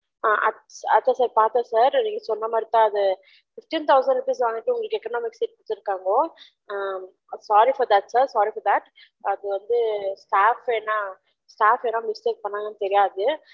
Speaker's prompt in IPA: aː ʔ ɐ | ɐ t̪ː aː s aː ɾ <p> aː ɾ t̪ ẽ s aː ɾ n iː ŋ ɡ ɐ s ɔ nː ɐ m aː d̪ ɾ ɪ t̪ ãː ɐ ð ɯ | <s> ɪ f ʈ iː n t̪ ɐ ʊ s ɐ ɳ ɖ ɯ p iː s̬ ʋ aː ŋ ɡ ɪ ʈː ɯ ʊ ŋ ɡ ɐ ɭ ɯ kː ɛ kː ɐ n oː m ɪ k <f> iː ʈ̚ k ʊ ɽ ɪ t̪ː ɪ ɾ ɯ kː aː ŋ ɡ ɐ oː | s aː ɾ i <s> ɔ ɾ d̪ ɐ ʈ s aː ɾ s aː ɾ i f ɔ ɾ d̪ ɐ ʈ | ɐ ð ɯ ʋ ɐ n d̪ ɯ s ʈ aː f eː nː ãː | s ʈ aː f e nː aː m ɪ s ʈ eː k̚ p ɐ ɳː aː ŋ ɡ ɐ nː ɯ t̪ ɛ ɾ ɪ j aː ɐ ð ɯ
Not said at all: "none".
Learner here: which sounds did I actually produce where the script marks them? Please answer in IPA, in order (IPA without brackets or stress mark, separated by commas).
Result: p, f, s, f